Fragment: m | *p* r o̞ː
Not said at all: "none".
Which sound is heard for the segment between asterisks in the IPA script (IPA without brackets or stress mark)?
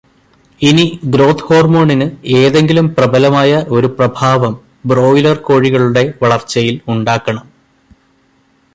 b